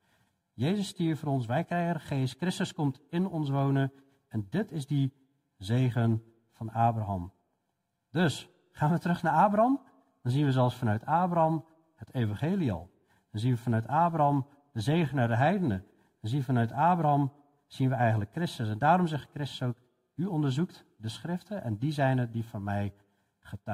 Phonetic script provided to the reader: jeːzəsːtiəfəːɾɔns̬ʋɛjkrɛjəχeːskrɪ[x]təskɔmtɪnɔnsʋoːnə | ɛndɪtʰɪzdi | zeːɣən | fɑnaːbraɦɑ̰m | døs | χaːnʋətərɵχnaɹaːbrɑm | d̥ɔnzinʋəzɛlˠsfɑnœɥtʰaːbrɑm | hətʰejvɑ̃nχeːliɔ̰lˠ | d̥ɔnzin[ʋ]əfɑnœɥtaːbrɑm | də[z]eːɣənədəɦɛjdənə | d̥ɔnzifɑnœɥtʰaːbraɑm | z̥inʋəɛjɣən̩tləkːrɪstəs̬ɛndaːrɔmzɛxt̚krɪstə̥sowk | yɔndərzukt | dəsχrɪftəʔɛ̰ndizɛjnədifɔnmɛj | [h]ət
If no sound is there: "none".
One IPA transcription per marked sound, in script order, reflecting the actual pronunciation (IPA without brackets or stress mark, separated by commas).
s, ʋ, z, χ